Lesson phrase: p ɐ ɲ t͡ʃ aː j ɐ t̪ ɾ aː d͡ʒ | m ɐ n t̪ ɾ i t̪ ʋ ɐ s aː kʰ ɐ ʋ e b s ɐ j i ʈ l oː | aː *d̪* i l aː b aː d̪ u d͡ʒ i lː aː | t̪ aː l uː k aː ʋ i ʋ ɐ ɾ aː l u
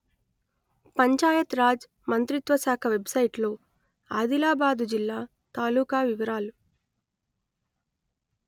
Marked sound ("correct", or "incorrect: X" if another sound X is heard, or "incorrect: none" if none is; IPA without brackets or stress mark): correct